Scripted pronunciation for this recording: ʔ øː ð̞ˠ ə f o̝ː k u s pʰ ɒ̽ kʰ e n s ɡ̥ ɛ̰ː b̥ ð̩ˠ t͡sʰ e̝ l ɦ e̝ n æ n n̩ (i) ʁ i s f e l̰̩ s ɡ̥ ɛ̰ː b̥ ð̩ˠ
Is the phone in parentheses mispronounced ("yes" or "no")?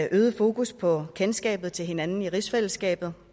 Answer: no